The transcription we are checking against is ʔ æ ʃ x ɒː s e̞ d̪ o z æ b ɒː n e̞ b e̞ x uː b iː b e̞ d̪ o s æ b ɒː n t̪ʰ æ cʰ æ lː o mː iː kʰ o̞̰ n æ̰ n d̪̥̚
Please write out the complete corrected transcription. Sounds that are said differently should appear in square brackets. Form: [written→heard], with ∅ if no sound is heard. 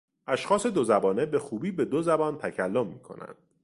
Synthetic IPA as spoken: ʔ æ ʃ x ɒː s e̞ d̪ o z æ b ɒː n e̞ b e̞ x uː b iː b e̞ d̪ o [s→z] æ b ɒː n t̪ʰ æ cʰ æ lː o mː iː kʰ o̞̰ n æ̰ n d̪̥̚